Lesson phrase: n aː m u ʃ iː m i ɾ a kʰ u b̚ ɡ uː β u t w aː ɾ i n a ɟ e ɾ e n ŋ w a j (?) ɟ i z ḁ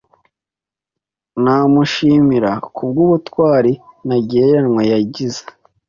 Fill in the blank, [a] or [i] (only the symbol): a